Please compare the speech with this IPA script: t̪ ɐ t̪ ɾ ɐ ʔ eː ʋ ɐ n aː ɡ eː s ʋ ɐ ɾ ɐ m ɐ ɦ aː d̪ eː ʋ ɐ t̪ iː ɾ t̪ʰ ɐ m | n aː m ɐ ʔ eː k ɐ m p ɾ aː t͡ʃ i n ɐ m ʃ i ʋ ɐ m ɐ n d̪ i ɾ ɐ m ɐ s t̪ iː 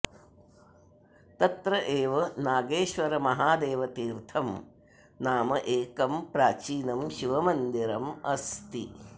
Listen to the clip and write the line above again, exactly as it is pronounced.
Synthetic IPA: t̪ ɐ t̪ ɾ ɐ ʔ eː ʋ ɐ n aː ɡ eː ʃ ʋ ɐ ɾ ɐ m ɐ ɦ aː d̪ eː ʋ ɐ t̪ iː ɾ t̪ʰ ɐ m | n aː m ɐ ʔ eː k ɐ m p ɾ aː t͡ʃ iː n ɐ m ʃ i ʋ ɐ m ɐ n d̪ i ɾ ɐ m ɐ s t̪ i

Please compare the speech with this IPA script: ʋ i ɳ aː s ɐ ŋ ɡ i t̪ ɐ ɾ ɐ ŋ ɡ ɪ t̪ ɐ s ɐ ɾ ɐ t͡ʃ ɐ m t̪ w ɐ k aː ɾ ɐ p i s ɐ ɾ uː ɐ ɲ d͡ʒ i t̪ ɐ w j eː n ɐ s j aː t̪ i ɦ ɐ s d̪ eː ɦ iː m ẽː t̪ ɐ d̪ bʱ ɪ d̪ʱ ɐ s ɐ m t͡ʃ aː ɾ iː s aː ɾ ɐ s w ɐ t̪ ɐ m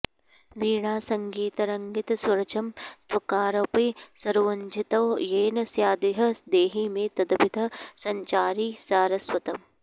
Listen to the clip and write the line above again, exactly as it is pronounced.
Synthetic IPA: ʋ iː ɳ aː s ɐ ŋ ɡ iː t̪ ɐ ɾ ɐ ŋ ɡ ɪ t̪ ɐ s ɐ ɾ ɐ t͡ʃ ɐ m t̪ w ɐ k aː ɾ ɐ p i s ɐ ɾ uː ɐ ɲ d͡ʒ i t̪ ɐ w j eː n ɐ s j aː d̪ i ɦ ɐ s d̪ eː ɦ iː m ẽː t̪ ɐ d̪ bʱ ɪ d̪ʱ ɐ s ɐ ɲ t͡ʃ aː ɾ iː s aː ɾ ɐ s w ɐ t̪ ɐ m

